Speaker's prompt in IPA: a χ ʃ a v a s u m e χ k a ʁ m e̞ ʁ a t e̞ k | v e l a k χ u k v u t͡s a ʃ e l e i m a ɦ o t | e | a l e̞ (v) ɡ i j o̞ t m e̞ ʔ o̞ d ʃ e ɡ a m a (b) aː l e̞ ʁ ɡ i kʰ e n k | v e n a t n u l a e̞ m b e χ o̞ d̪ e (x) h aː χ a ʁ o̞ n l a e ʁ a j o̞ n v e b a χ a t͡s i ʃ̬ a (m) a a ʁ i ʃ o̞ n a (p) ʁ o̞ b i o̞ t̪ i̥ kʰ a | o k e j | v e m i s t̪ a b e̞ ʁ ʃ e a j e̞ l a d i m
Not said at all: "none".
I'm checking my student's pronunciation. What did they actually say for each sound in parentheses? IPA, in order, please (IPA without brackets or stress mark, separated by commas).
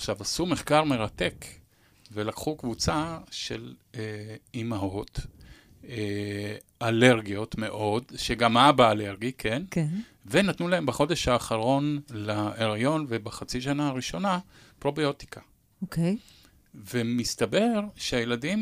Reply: ʁ, b, ʃ, n, p